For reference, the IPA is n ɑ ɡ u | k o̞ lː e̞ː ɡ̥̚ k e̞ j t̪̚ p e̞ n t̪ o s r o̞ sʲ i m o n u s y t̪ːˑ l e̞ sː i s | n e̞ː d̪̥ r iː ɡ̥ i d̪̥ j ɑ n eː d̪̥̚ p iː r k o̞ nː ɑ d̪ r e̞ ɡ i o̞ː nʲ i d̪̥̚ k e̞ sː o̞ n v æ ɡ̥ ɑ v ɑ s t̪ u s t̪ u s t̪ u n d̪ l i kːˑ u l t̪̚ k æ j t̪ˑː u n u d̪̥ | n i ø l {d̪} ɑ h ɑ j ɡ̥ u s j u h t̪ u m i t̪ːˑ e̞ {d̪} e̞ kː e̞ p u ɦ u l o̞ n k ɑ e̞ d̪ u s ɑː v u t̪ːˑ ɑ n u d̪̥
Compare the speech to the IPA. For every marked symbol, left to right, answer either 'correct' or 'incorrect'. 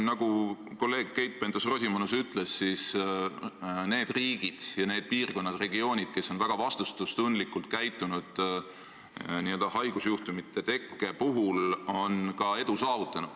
correct, incorrect: t̪

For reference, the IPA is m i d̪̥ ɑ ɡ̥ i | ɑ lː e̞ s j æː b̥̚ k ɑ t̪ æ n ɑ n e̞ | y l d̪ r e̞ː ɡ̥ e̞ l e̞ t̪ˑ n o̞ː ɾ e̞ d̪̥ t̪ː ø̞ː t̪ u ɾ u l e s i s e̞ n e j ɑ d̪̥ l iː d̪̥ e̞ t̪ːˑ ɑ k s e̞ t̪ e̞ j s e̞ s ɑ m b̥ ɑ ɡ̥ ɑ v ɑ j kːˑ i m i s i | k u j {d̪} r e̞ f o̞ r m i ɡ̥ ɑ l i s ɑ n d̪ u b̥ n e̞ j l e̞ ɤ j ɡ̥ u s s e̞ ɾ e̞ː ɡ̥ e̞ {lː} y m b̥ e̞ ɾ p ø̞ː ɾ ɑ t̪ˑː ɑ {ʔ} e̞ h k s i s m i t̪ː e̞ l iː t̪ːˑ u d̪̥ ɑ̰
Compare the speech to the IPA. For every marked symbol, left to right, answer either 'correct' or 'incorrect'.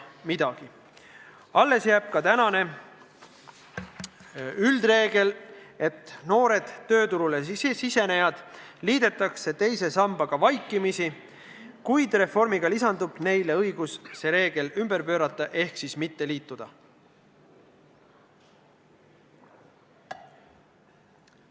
correct, incorrect: l, correct

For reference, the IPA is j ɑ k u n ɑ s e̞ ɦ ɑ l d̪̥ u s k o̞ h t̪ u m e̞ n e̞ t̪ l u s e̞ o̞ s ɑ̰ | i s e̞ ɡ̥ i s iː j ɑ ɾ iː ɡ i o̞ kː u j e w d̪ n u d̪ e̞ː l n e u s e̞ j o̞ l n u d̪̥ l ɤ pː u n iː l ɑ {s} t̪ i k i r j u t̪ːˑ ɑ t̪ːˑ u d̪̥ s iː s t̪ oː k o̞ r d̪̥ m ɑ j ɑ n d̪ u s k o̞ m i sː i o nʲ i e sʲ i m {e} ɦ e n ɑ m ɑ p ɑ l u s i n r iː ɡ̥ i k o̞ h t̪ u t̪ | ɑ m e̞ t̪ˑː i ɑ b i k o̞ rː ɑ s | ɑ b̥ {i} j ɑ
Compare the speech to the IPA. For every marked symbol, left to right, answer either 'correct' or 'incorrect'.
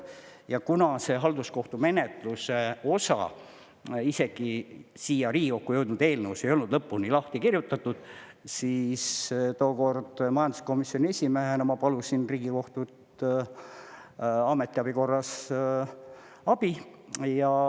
incorrect: h, correct, correct

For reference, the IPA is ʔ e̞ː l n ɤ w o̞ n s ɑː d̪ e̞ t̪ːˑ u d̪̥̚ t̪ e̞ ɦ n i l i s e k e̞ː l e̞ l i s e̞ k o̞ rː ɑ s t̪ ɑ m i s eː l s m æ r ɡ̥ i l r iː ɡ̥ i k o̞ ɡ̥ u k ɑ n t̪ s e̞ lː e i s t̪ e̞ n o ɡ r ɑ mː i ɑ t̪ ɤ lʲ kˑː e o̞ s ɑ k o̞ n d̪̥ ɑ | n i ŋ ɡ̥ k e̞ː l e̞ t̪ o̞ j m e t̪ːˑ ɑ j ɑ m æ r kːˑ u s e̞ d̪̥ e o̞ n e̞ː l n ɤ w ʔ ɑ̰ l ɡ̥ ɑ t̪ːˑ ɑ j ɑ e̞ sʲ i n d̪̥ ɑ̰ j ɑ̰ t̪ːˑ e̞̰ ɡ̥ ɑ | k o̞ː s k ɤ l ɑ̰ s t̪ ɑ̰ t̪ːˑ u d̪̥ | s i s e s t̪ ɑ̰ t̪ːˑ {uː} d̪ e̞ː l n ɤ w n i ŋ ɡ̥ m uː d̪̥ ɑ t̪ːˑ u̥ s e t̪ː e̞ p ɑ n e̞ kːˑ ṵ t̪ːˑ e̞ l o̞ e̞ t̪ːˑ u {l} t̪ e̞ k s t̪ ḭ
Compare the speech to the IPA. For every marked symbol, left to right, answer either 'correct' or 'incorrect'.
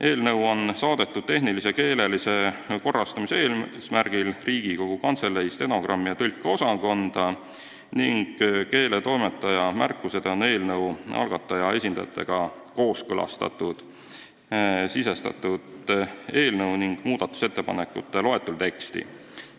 incorrect: u, correct

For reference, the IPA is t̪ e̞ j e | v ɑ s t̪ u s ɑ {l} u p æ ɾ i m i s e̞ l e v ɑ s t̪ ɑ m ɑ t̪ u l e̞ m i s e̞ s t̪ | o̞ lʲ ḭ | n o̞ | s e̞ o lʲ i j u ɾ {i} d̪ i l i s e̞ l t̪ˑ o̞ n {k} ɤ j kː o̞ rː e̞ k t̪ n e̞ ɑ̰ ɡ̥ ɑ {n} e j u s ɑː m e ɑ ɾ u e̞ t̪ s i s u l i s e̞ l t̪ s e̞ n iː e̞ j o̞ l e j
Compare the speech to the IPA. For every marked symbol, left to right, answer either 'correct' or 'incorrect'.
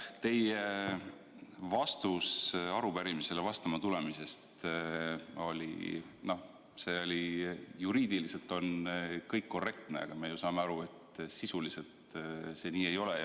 incorrect: ɾ, incorrect: iː, correct, incorrect: m

